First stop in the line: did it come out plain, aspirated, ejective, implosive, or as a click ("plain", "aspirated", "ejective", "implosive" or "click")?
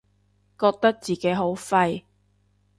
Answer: plain